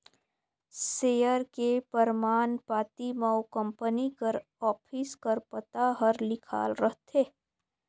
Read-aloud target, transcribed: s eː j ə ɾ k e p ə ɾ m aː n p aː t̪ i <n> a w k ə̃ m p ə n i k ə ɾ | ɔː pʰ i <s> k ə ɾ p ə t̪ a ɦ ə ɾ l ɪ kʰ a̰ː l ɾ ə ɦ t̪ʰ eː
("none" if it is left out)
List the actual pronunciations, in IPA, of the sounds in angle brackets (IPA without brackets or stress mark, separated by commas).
m, s